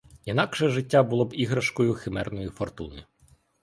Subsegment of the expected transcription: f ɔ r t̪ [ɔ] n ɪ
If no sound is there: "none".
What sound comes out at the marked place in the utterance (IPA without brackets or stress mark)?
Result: u